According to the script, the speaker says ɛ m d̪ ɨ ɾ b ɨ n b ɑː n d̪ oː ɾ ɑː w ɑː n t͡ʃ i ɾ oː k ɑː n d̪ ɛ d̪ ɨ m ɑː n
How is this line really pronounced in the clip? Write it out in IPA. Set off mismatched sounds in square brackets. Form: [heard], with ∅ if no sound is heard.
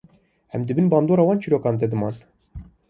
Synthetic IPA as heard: ɛ m d̪ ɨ [∅] b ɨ n b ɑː n d̪ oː ɾ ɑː w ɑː n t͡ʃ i ɾ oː k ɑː n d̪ ɛ d̪ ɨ m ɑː n